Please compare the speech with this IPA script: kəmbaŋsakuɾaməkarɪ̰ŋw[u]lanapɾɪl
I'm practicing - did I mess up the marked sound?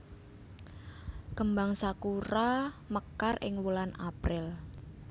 no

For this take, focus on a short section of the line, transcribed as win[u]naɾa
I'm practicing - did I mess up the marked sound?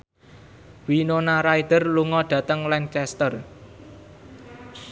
yes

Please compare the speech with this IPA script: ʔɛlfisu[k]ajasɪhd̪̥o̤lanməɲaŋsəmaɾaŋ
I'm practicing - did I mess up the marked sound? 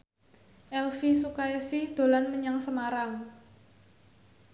no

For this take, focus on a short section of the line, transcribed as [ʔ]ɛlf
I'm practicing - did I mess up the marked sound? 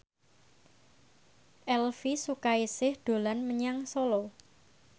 no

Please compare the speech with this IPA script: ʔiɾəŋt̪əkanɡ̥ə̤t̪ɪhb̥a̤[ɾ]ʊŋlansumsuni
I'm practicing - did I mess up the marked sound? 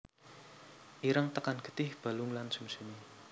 yes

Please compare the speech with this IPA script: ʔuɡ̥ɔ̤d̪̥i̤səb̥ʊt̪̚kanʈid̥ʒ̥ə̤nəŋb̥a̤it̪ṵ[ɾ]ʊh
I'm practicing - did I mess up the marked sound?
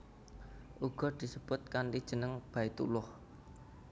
yes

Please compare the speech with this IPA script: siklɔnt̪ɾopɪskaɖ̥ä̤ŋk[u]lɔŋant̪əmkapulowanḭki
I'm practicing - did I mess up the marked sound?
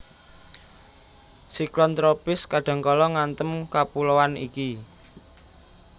yes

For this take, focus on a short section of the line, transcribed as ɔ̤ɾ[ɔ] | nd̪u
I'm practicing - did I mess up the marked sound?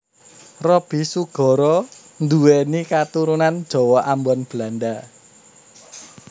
no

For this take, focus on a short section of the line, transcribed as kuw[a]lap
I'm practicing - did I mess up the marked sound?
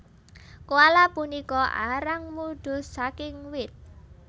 no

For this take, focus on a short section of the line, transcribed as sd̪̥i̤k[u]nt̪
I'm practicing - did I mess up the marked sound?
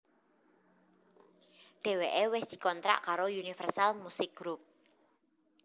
yes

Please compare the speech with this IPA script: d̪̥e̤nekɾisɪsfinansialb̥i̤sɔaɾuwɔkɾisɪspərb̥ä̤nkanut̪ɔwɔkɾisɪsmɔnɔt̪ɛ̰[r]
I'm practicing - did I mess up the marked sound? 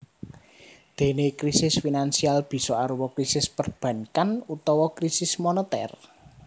no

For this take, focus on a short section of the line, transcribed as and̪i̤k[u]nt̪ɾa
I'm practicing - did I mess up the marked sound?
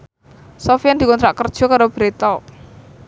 yes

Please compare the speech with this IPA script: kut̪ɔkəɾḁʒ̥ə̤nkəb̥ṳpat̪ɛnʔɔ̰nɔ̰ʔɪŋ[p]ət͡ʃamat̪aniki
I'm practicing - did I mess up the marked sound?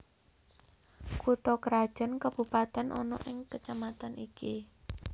yes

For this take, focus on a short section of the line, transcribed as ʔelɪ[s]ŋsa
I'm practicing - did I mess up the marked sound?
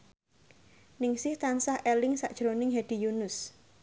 yes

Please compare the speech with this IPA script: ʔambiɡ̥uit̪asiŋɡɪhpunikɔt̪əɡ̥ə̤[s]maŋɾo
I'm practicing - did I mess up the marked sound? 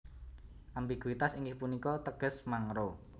no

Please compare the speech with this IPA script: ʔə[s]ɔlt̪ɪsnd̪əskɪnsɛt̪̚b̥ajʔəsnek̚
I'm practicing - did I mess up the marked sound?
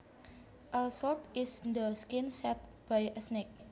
no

